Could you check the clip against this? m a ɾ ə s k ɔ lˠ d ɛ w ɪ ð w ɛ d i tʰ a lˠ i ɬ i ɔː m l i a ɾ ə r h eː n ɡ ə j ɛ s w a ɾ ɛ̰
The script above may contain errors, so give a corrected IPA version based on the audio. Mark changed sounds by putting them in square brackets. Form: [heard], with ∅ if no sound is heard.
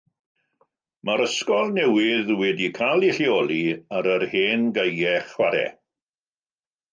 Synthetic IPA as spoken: m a ɾ ə s k ɔ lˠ [n] ɛ w ɪ ð w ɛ d i [kʰ] a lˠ i ɬ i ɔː [∅] l i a ɾ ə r h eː n ɡ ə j ɛ [χ] w a ɾ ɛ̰